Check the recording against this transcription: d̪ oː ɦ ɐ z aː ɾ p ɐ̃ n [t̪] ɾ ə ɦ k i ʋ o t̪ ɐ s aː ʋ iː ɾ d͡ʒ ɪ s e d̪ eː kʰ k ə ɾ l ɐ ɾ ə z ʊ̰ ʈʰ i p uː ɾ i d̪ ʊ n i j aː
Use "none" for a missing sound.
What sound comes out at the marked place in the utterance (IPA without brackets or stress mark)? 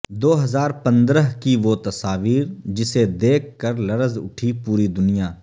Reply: d̪